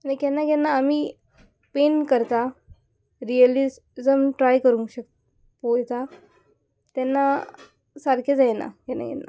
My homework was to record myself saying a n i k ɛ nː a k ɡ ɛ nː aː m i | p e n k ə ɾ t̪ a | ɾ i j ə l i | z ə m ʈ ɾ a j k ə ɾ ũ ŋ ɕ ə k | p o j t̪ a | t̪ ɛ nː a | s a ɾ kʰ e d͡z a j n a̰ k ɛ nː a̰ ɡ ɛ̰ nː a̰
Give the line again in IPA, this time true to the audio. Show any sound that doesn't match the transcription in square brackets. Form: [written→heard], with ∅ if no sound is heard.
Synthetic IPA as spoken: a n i k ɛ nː a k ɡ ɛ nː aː m i | p e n k ə ɾ t̪ a | ɾ i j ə l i | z ə m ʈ ɾ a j k ə ɾ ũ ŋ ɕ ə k | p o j t̪ a | t̪ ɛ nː a | s a ɾ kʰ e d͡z a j n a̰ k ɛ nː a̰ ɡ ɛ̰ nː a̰